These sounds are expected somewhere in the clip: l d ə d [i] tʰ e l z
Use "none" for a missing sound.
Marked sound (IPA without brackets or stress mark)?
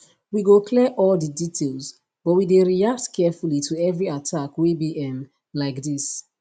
i